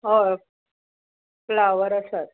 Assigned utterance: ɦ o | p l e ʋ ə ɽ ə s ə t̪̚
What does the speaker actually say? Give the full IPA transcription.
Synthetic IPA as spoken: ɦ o | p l a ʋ ə ɾ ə s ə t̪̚